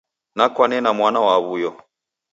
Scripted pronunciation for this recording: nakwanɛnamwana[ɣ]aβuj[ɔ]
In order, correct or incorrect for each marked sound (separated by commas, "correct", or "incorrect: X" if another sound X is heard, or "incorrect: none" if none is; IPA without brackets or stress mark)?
incorrect: w, correct